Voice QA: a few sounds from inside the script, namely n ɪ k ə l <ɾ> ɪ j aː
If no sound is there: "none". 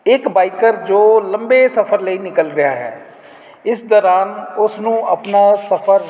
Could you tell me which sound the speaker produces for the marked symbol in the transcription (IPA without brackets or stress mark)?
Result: ɾ